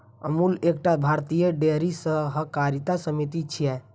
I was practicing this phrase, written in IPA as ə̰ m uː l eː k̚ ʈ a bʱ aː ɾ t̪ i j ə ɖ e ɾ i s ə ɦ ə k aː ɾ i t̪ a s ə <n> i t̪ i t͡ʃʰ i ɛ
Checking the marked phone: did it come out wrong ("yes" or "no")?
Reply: yes